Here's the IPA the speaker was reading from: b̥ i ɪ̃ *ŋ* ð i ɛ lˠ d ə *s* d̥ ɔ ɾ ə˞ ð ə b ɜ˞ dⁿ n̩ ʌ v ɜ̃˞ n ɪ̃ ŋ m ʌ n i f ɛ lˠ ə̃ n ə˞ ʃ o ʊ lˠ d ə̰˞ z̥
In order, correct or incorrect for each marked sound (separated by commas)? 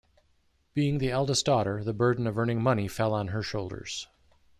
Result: correct, correct